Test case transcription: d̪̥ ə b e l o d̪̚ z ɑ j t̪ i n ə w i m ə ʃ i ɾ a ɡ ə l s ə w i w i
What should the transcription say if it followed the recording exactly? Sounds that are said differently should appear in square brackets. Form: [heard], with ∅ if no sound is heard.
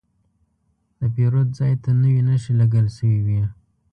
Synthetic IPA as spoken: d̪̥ ə [p] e [ɾ] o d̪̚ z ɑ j t̪ [a] n ə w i [n] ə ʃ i [l] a ɡ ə l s ə w i w i